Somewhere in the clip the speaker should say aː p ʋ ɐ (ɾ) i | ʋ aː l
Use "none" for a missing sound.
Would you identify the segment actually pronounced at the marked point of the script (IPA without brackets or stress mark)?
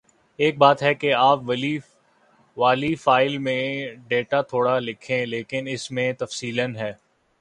l